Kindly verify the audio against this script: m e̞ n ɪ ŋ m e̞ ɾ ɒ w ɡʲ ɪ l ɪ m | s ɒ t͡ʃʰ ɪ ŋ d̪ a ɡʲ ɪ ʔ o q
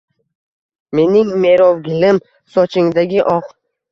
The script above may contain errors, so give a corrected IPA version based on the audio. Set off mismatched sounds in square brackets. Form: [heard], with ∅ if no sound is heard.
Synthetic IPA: m e̞ n ɪ ŋ m e̞ ɾ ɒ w ɡʲ ɪ l ɪ m | s ɒ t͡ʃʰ ɪ ŋ d̪ a ɡʲ ɪ ʔ [ɒ] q